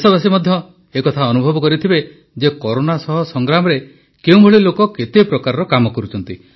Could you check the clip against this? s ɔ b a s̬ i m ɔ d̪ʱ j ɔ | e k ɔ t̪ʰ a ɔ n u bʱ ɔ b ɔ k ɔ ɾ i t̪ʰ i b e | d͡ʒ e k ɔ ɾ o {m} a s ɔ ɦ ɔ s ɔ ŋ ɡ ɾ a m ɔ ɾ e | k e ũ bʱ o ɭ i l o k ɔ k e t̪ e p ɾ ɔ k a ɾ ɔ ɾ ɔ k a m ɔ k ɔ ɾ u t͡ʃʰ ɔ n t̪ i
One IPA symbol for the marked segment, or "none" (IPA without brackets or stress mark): n